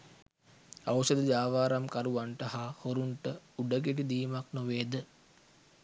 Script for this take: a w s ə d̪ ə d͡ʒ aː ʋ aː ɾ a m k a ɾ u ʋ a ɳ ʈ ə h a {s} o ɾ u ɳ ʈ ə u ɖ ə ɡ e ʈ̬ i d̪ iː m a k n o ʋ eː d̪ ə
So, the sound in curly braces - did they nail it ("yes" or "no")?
no